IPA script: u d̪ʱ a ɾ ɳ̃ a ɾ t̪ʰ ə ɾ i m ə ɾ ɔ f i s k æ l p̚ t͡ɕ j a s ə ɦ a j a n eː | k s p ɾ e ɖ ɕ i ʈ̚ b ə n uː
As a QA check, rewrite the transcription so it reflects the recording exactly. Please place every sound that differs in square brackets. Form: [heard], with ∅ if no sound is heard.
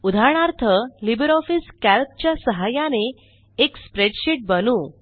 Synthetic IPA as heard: u d̪ʱ a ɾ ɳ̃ a ɾ t̪ʰ ə [l] i [b] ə ɾ ɔ f i s k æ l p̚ t͡ɕ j a s ə ɦ a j a n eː | k s p ɾ e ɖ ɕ i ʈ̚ b ə n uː